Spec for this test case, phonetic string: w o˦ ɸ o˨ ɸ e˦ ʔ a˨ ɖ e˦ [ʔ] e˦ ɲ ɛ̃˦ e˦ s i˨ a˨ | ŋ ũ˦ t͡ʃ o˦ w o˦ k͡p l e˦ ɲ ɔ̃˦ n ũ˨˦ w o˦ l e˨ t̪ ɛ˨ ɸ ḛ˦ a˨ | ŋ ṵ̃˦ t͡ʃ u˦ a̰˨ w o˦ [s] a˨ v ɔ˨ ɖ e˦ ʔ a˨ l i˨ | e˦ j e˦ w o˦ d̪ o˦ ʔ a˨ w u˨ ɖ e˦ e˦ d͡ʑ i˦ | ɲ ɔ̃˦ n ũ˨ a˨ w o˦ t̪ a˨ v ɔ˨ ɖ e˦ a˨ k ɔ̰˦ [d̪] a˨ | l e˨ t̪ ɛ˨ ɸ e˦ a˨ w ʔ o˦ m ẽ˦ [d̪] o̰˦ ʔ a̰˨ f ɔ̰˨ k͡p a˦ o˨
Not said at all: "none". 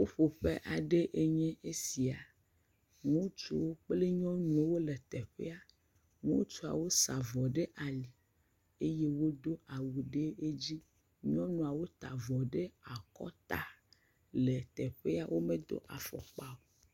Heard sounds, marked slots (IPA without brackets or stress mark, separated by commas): ʔ, s, t̪, d̪